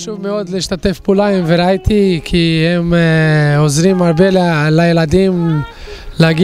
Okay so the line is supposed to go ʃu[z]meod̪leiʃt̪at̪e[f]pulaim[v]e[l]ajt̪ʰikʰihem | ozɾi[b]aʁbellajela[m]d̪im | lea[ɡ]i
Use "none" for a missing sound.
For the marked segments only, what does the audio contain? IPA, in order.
v, f, v, ɾ, m, none, ɡ

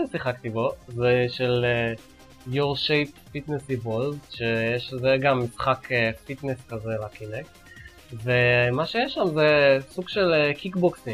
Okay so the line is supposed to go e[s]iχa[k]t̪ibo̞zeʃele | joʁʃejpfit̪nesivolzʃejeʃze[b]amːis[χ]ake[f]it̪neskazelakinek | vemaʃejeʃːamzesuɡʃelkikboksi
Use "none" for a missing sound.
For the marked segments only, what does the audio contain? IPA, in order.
s, k, ɡ, χ, f

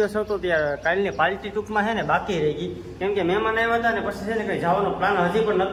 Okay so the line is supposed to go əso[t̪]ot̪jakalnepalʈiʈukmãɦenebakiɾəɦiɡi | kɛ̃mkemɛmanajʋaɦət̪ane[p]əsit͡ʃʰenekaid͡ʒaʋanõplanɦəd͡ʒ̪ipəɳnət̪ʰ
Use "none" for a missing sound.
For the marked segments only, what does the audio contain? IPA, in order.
t̪, p

